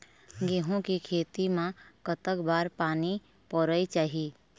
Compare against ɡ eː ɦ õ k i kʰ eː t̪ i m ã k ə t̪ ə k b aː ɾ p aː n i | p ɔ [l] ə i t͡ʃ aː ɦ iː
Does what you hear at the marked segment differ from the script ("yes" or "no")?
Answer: yes